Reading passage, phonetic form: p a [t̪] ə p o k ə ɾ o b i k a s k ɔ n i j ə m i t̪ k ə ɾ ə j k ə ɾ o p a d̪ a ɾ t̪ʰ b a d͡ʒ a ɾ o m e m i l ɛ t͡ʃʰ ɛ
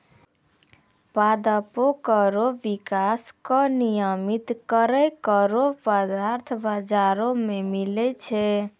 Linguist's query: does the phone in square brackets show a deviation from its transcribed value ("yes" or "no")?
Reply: yes